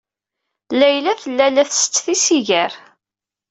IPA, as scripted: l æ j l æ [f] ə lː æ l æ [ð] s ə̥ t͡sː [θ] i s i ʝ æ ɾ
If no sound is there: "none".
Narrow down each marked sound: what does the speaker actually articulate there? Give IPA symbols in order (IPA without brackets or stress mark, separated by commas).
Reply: θ, θ, θ